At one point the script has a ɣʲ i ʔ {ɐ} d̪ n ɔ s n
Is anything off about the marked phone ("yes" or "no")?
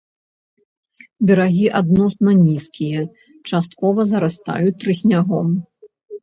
yes